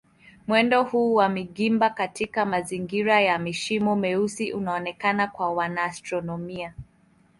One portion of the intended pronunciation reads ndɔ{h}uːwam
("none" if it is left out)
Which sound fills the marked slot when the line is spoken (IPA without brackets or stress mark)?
h